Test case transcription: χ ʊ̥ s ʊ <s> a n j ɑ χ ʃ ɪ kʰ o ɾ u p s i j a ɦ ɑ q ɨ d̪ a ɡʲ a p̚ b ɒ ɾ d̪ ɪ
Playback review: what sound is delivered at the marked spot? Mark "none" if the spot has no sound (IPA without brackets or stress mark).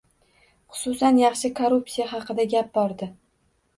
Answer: s